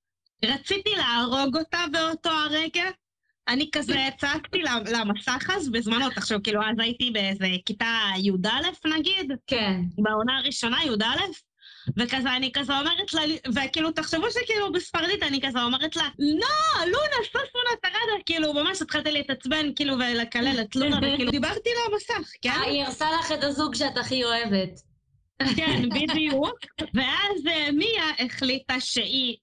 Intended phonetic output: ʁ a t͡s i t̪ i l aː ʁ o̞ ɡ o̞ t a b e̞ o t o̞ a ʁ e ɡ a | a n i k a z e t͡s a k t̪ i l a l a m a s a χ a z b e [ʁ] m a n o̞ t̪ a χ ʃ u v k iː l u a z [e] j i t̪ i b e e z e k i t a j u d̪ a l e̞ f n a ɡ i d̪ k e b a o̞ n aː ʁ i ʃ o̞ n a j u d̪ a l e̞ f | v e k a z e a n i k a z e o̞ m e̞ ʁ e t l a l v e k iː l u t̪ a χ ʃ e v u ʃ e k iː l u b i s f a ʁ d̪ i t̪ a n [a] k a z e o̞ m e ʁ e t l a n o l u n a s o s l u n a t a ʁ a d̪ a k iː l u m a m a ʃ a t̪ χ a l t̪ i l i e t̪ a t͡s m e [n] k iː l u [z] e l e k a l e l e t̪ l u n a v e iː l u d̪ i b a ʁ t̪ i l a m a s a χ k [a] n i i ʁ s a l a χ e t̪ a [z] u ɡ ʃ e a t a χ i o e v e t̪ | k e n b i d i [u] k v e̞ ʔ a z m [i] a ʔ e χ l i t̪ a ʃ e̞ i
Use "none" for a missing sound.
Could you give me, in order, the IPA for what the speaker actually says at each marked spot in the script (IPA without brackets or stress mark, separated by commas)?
z, a, i, n, v, e, z, u, i